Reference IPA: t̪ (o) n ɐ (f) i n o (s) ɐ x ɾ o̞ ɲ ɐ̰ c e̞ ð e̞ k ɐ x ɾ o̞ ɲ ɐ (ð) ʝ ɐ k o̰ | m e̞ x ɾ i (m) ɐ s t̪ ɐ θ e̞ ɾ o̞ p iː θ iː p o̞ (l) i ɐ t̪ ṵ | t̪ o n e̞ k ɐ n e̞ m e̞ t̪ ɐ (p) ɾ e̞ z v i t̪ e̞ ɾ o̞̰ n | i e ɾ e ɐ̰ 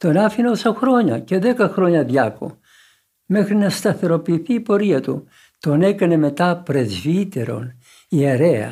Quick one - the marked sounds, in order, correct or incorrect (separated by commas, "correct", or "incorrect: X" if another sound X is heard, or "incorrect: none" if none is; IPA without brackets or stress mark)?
correct, correct, correct, correct, incorrect: n, incorrect: ɾ, correct